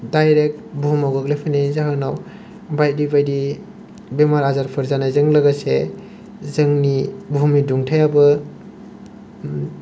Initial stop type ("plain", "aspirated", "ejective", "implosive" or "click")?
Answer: plain